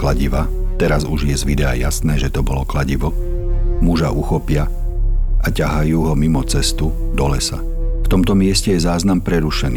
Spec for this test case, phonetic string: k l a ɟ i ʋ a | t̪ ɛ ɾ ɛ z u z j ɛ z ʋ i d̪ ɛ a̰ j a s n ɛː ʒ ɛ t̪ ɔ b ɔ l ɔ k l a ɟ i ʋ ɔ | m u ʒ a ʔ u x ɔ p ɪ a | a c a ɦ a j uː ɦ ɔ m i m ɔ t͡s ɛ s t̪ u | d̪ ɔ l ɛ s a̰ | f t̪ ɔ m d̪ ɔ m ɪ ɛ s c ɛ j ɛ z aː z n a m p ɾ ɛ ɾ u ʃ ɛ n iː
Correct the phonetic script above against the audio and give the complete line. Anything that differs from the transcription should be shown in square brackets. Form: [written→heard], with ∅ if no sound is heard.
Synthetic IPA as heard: k l a ɟ i ʋ a | t̪ ɛ ɾ [ɛ→a] z u [z→ʒ] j ɛ z ʋ i d̪ ɛ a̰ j a s n ɛː ʒ ɛ t̪ ɔ b ɔ l ɔ k l a ɟ i ʋ ɔ | m u ʒ a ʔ u x ɔ p ɪ a | a c a ɦ a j uː ɦ ɔ m i m ɔ t͡s ɛ s t̪ u | d̪ ɔ l ɛ s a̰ | f t̪ ɔ m [d̪→t̪] ɔ m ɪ ɛ s c ɛ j ɛ z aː z n a m p ɾ ɛ ɾ u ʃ ɛ n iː